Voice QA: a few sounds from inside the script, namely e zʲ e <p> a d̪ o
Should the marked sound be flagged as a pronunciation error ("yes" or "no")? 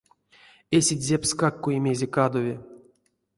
yes